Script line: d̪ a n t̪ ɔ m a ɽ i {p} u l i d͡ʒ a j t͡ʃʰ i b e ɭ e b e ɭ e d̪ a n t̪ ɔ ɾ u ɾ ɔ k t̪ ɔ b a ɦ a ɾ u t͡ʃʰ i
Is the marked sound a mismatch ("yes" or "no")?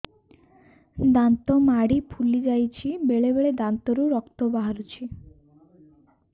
yes